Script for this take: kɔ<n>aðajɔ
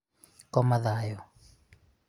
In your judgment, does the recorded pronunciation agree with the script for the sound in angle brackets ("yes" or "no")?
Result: no